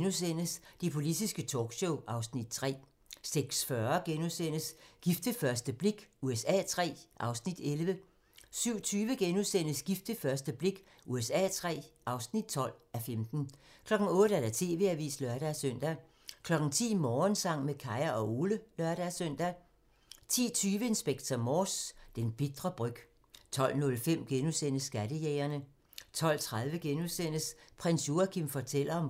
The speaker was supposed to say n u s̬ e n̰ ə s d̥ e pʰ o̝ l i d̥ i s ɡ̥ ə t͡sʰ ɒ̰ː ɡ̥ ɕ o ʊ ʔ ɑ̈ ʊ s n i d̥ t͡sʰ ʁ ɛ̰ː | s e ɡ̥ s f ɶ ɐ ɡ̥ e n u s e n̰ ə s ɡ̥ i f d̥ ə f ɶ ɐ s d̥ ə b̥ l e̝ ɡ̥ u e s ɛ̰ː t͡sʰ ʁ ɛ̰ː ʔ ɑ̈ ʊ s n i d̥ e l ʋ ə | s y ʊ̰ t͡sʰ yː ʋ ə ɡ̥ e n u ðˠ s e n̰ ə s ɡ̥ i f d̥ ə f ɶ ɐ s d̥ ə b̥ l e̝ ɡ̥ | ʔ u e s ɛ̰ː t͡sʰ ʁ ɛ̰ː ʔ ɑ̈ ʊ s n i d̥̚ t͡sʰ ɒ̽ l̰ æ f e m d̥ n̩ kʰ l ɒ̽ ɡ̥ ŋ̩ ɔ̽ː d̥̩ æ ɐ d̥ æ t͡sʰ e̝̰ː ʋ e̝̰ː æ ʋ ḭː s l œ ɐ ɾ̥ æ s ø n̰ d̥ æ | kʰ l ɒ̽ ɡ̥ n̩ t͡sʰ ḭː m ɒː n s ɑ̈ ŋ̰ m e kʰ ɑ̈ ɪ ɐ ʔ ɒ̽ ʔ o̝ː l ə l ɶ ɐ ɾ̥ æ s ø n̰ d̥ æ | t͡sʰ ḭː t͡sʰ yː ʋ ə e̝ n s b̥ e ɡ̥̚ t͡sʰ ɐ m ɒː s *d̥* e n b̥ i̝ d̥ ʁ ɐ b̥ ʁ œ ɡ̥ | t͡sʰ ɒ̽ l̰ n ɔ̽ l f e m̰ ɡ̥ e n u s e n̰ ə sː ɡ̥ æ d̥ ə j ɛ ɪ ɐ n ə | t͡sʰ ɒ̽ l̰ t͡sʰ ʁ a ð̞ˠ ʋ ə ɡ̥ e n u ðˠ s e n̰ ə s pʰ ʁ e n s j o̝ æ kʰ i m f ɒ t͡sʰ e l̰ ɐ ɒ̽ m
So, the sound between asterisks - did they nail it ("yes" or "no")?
yes